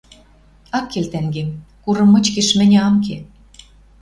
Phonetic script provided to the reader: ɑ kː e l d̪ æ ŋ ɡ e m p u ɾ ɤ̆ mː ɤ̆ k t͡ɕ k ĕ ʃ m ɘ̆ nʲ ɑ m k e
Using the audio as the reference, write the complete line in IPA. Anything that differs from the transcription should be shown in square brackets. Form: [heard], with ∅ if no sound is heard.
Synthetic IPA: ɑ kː e l [t̪] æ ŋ ɡ e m [k] u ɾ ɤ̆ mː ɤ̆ [∅] t͡ɕ k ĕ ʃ m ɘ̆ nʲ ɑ m k e